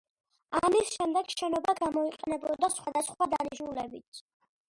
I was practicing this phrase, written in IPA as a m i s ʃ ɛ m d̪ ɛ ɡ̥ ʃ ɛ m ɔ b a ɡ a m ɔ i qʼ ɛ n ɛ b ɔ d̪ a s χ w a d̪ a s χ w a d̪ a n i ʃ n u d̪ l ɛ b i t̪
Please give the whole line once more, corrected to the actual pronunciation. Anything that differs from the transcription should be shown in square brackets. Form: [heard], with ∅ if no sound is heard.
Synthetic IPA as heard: a m i s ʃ ɛ m d̪ ɛ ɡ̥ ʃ ɛ [n] ɔ b a ɡ a m ɔ i qʼ ɛ n ɛ b ɔ d̪ a s χ w a d̪ a s χ w a d̪ a n i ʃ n u [∅] l ɛ b i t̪